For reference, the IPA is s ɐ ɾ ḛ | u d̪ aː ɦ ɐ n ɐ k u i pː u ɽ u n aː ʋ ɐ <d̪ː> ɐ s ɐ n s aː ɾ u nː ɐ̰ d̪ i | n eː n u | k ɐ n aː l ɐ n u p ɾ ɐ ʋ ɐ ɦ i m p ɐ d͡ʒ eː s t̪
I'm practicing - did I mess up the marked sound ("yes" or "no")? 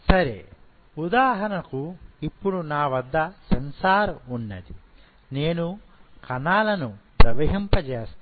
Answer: no